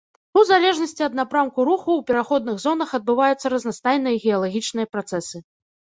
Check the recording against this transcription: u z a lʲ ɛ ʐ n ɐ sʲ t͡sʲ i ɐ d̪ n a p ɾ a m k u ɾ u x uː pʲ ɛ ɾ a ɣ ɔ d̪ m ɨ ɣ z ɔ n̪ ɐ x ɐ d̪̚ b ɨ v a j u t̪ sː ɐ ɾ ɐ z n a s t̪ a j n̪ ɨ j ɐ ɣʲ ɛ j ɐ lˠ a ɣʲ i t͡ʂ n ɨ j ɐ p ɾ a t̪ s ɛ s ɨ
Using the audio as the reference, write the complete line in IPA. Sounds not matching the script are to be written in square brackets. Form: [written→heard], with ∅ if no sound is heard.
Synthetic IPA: u z a lʲ ɛ ʐ n ɐ sʲ t͡sʲ i ɐ d̪ n a p ɾ a m k u ɾ u x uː pʲ ɛ ɾ a [ɣ→x] ɔ d̪ [m→n] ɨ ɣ z ɔ n̪ ɐ x ɐ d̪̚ b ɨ v a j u t̪ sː ɐ ɾ ɐ z n a s t̪ a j n̪ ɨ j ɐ ɣʲ ɛ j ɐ lˠ a ɣʲ i t͡ʂ n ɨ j ɐ p ɾ a t̪ s ɛ s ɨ